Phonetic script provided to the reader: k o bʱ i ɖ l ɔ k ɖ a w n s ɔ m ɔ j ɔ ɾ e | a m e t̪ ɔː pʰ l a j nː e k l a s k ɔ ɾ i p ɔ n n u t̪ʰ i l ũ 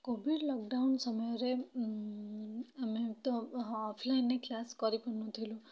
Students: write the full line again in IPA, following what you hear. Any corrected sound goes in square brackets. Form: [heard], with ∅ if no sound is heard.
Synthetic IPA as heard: k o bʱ i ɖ l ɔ k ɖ a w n s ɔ m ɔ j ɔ ɾ e | a m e t̪ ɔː pʰ l a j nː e k l a s k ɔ ɾ i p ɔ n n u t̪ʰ i l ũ